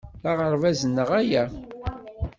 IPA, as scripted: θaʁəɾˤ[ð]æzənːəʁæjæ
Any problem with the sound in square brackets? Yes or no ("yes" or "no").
yes